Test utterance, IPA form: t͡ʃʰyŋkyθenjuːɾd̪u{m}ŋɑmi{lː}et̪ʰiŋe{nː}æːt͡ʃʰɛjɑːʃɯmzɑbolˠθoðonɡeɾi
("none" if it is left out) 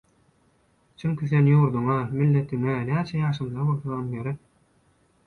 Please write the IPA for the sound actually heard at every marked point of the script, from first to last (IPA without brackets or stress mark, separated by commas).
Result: none, lː, n